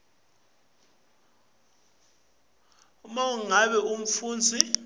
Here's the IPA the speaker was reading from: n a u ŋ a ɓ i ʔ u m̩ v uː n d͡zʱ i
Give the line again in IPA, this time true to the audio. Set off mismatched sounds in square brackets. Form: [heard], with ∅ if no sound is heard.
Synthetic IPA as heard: [m] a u ŋ a ɓ [ɛ] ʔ u m̩ [f] uː n d͡zʱ i